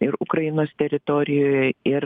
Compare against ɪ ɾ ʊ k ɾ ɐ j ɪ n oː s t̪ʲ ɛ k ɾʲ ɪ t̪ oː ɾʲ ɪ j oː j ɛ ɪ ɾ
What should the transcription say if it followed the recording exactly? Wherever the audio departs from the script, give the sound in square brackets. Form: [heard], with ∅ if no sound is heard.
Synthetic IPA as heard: ɪ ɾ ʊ k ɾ ɐ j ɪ n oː s t̪ʲ ɛ [∅] ɾʲ ɪ t̪ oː ɾʲ ɪ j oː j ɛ ɪ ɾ